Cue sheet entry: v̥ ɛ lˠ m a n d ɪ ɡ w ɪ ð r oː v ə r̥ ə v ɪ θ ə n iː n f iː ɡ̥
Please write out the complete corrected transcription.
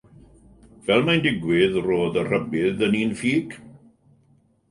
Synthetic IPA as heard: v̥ ɛ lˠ m a n d ɪ ɡ w ɪ ð r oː ð ə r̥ ə b ɪ ð ə n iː n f iː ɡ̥